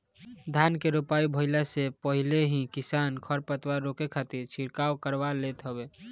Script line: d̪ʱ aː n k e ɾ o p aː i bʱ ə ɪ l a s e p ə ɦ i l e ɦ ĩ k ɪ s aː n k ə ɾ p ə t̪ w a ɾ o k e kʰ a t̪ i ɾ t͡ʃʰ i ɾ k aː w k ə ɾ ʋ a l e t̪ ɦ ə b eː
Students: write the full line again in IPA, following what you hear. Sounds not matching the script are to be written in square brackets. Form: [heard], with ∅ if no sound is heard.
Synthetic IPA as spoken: d̪ʱ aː n k e ɾ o p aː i bʱ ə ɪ l a s e p ə ɦ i l e ɦ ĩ k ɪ s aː n [kʰ] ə ɾ p ə t̪ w a ɾ o k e kʰ a t̪ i ɾ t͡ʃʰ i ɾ k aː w k ə ɾ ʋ a l e t̪ ɦ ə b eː